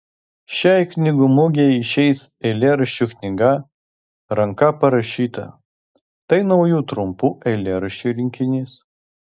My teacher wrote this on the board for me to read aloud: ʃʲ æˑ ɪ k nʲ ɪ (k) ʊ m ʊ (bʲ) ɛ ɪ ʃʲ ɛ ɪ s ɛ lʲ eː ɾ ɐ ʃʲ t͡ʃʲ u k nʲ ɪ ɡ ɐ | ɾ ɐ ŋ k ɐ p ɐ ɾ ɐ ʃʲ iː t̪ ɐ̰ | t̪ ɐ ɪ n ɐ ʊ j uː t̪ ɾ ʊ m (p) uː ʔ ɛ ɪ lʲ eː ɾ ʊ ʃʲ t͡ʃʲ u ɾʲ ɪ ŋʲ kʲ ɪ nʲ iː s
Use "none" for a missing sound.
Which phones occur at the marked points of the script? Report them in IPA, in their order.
ɡ, ɡʲ, p

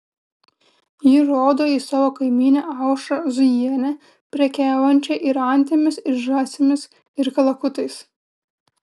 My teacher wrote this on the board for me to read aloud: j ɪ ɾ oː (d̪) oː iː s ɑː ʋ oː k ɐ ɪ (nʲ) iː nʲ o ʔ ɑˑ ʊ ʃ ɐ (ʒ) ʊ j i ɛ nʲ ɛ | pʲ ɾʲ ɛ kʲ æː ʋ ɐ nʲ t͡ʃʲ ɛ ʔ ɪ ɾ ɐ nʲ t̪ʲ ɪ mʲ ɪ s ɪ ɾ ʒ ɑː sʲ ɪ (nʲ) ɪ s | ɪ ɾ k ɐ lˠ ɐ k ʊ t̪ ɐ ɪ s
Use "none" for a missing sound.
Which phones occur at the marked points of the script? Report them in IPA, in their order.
d̪, mʲ, z, mʲ

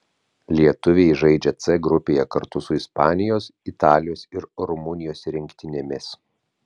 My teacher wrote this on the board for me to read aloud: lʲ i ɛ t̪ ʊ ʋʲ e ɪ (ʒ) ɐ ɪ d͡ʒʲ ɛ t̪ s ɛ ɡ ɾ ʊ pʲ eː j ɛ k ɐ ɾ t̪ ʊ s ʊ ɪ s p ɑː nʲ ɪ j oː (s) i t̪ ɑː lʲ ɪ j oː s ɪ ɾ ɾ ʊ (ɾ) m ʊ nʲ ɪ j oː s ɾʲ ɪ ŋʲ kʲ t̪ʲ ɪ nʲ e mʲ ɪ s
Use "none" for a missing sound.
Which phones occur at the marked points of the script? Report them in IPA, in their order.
ʒ, s, none

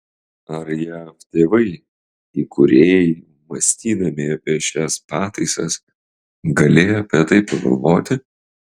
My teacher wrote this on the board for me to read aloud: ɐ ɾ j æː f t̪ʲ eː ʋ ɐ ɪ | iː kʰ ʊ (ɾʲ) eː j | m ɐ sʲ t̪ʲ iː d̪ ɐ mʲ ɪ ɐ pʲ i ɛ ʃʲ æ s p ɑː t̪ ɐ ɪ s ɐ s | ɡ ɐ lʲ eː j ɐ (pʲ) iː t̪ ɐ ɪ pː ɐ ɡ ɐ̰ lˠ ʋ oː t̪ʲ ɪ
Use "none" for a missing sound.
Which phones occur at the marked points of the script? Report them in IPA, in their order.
ɾʲ, pʲ

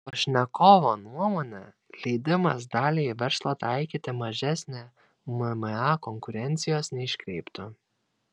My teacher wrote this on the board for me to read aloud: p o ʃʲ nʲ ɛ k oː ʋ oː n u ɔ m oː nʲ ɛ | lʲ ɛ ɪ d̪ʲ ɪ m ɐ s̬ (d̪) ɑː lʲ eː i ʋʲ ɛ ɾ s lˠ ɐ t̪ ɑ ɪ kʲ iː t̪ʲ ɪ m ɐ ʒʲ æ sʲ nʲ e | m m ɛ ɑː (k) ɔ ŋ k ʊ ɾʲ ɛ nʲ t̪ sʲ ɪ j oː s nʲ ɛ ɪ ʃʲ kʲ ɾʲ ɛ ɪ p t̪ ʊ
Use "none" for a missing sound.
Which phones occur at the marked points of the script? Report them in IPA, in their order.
d̪, k

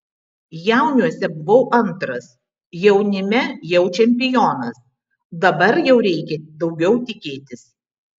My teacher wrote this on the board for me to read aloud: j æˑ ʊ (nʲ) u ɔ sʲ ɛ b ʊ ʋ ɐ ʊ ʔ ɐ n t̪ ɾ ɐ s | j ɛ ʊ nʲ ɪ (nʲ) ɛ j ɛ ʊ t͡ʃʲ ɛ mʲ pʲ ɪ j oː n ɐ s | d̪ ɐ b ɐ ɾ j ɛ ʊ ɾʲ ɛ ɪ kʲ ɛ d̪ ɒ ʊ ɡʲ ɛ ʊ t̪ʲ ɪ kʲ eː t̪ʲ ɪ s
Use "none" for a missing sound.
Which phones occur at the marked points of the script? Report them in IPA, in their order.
nʲ, mʲ

